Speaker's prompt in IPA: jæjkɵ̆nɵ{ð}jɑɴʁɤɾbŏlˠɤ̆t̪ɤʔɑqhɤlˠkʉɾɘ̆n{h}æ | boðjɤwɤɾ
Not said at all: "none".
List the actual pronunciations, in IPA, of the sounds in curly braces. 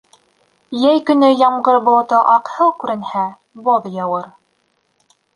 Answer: none, h

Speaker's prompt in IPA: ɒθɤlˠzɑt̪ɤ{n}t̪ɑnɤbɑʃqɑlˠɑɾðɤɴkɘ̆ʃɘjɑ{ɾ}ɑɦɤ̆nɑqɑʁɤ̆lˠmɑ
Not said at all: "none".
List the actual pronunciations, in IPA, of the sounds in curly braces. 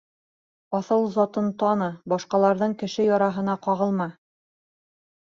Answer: n, ɾ

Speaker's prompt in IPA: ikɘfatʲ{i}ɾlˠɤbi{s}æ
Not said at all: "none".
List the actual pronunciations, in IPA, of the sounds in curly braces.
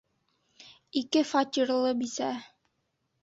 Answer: i, s

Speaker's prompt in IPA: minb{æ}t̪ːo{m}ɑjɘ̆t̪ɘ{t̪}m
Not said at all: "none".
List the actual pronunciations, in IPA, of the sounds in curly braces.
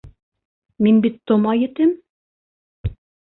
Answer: i, m, none

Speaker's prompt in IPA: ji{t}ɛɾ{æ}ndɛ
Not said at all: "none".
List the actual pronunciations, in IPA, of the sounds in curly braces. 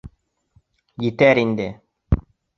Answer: t, i

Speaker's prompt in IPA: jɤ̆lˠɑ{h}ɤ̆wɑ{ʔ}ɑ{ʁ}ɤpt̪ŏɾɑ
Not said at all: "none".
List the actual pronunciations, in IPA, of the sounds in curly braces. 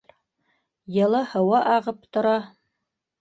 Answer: h, ʔ, ʁ

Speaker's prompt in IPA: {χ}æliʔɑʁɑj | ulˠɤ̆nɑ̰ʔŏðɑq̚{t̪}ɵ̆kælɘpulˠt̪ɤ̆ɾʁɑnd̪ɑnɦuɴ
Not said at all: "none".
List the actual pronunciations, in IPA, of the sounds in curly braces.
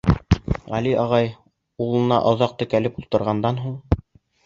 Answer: ʁ, t̪

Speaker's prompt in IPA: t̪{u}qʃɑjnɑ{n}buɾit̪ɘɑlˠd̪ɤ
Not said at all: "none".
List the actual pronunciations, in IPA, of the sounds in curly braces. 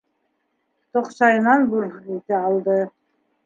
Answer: o, n

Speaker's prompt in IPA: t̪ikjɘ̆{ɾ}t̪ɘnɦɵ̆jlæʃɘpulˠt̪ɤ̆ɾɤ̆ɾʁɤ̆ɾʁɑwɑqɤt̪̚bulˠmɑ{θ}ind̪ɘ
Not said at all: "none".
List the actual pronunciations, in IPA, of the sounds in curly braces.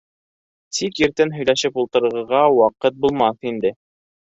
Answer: ɾ, θ

